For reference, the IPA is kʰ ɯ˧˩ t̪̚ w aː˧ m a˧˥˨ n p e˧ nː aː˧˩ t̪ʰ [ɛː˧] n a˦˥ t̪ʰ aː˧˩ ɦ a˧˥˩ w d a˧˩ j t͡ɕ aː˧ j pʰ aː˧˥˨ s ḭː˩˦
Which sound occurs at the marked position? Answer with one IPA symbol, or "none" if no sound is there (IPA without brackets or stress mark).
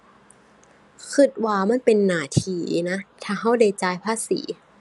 iː˧